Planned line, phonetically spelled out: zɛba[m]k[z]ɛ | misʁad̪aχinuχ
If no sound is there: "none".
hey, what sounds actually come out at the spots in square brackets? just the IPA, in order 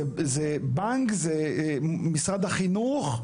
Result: ŋ, z

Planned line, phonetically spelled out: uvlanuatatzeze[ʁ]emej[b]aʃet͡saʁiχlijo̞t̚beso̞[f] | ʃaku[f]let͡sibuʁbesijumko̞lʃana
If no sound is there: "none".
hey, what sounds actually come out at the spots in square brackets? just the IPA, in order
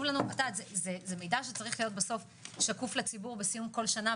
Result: z, d, f, f

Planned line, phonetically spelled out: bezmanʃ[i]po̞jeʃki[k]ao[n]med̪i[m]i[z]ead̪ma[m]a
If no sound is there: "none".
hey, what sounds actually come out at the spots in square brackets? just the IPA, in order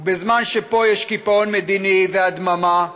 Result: e, p, n, n, v, m

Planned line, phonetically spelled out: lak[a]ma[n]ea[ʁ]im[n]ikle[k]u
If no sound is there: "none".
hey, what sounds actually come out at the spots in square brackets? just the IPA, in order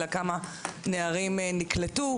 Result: a, n, ʁ, n, t

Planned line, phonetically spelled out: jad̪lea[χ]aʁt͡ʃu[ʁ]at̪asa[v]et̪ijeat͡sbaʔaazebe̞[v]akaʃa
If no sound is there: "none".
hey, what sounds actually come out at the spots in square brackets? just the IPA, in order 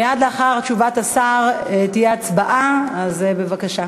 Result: χ, v, ʁ, v

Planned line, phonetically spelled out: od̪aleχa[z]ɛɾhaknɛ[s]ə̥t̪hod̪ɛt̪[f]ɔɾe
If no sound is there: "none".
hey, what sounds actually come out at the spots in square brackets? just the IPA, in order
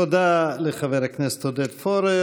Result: v, s, f

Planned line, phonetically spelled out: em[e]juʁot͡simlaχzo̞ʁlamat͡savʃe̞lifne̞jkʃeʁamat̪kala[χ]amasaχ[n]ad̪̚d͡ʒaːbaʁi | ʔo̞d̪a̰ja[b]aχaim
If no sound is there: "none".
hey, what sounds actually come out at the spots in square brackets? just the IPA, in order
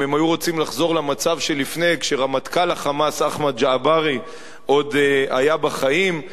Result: a, χ, m, b

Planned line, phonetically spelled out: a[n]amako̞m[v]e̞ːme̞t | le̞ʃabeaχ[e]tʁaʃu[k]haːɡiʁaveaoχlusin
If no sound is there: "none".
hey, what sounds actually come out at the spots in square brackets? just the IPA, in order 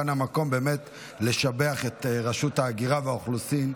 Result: n, b, e, t

